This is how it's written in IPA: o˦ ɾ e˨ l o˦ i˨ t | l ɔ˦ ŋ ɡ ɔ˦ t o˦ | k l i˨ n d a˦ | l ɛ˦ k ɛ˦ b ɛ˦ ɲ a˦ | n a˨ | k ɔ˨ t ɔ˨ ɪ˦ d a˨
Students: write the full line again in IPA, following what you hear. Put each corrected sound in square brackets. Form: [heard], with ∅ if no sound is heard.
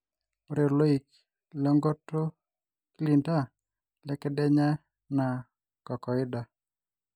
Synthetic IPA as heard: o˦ ɾ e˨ l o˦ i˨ [k] | l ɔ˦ ŋ ɡ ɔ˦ t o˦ | k l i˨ n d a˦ | l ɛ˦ k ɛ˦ [d] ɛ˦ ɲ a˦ | n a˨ | k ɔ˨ [k] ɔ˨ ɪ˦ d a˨